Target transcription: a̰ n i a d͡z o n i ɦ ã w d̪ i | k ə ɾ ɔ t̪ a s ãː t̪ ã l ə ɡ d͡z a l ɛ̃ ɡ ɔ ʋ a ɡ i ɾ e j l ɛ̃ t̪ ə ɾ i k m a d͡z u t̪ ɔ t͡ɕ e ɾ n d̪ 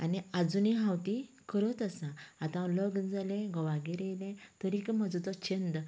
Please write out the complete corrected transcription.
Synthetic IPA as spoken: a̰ n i a d͡z u n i ɦ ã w t̪ i | k ə ɾ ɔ t̪ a s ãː t̪ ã l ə ɡ d͡z a l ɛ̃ ɡ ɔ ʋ a ɡ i ɾ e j l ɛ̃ t̪ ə ɾ i k m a d͡z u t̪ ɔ t͡ɕ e n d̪